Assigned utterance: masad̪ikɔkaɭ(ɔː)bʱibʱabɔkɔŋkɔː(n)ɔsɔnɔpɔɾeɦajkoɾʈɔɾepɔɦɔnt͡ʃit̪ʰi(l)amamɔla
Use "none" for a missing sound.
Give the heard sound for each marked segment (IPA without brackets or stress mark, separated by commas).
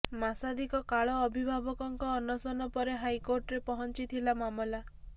ɔː, n, l